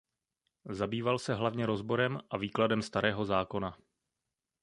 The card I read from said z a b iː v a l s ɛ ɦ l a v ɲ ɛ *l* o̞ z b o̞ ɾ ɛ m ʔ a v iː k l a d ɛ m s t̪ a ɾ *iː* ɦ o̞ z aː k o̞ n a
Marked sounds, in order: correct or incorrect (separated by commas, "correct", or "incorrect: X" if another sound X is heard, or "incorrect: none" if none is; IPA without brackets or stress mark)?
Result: incorrect: ɾ, incorrect: ɛː